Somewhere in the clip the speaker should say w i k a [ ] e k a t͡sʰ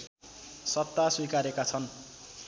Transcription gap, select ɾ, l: ɾ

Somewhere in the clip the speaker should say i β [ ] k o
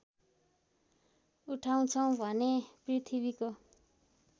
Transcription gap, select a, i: i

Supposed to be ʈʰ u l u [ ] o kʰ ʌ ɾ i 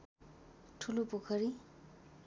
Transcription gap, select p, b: p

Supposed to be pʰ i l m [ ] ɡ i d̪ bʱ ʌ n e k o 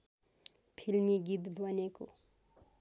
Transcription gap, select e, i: i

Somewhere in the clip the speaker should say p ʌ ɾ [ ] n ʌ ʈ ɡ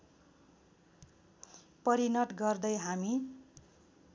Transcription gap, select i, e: i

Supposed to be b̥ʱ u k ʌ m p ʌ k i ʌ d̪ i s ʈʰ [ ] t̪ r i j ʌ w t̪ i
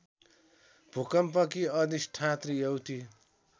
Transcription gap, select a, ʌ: a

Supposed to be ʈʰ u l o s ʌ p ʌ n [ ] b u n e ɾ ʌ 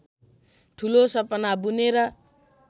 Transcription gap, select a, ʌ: a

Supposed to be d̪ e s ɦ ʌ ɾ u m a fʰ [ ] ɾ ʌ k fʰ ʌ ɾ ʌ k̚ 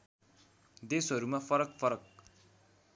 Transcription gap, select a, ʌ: ʌ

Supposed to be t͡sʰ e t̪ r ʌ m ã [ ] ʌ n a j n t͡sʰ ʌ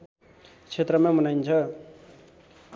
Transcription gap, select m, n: m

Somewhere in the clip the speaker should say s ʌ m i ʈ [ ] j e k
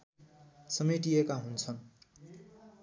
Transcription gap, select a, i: i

